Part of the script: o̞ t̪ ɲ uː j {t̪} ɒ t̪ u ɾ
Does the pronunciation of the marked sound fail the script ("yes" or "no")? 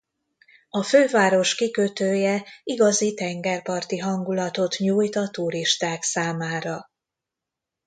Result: no